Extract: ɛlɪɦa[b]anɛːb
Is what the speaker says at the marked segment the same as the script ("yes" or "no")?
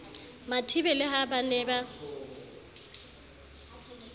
yes